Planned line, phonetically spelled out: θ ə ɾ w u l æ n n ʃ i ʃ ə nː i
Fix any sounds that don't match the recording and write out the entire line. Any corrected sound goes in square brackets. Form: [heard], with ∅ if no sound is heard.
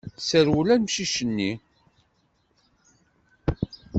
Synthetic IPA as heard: [s] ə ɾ w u l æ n [m] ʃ i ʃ ə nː i